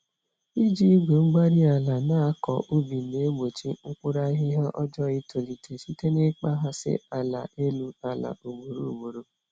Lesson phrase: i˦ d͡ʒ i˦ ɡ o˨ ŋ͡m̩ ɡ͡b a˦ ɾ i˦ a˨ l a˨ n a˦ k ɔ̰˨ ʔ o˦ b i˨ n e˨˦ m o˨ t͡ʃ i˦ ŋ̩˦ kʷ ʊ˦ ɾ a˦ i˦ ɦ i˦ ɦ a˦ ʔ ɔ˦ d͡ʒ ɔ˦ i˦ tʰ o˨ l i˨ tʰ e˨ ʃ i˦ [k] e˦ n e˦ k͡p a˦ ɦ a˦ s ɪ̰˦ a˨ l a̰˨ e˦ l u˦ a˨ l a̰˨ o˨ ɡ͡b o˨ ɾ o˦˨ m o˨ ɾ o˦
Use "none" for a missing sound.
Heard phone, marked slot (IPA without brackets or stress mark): t